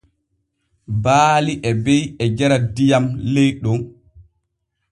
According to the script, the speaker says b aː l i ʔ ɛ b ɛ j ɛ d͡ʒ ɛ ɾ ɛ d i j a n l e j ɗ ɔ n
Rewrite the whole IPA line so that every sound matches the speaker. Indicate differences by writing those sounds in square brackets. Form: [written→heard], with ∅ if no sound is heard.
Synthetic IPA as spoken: b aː l i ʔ ɛ b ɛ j ɛ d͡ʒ ɛ ɾ [ɛ→a] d i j a [n→m] l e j ɗ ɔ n